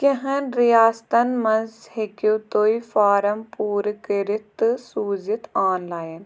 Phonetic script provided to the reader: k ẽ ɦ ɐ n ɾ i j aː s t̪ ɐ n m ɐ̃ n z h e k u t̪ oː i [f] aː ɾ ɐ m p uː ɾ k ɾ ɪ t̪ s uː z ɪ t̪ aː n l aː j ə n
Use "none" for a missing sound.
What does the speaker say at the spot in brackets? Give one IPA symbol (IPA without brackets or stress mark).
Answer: f